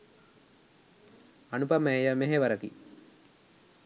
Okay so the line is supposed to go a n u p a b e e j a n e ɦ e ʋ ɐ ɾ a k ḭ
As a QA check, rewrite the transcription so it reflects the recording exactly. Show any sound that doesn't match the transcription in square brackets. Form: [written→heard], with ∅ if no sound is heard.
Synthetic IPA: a n u p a [b→m] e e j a [n→m] e ɦ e ʋ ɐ ɾ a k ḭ